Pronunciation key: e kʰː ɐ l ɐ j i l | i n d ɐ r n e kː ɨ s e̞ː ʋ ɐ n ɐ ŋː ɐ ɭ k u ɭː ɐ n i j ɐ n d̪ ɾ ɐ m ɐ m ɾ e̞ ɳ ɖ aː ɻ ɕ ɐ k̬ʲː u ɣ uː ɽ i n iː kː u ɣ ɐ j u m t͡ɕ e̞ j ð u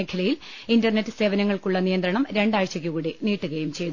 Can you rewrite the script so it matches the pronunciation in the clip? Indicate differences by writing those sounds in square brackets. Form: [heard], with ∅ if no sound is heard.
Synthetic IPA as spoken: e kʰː ɐ l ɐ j i l | i n d ɐ r n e [tː] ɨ s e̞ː ʋ ɐ n ɐ ŋː ɐ ɭ k u ɭː ɐ n i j ɐ n d̪ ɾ ɐ [ɳ] ɐ m ɾ e̞ ɳ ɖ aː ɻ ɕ ɐ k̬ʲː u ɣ uː ɽ i n iː [ʈː] u ɣ ɐ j u m t͡ɕ e̞ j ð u